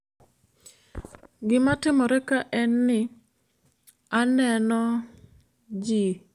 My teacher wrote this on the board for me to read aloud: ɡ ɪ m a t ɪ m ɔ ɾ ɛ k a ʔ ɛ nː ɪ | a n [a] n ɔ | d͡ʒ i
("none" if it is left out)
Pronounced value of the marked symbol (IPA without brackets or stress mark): ɛ